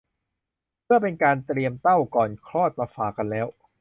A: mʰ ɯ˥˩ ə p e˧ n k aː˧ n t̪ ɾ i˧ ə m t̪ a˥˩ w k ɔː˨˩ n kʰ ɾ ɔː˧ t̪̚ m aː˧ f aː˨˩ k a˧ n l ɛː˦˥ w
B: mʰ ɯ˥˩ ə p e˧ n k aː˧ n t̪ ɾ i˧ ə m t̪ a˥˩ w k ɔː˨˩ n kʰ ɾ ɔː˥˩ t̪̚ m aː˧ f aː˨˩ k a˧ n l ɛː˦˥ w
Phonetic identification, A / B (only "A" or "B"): B